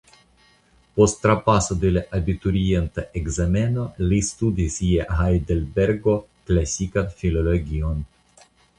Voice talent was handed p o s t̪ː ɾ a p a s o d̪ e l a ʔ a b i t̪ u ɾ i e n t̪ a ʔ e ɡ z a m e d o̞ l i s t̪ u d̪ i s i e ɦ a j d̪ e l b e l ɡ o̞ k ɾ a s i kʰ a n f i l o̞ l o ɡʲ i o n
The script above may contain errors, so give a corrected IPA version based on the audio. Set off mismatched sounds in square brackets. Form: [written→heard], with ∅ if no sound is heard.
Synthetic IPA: p o s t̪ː ɾ a p a s o d̪ e l a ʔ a b i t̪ u ɾ i e n t̪ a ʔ e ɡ z a m e [d→n] o̞ l i s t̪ u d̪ i s i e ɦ a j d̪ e l b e [l→ɾ] ɡ o̞ k [ɾ→l] a s i [kʰ→k] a n f i l o̞ l o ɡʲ i o n